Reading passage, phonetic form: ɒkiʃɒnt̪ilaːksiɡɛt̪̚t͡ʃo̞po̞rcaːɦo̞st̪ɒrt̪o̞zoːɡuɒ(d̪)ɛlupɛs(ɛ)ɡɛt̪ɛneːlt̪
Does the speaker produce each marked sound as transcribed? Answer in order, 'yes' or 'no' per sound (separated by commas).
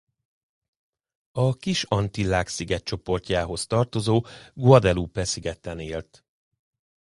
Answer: yes, no